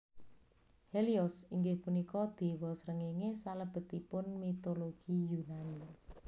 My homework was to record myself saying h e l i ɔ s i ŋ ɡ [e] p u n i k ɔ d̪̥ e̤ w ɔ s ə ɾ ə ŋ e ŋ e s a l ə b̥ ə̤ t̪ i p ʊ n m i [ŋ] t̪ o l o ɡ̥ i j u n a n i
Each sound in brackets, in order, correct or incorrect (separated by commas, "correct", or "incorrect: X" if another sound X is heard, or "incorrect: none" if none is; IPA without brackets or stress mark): correct, incorrect: none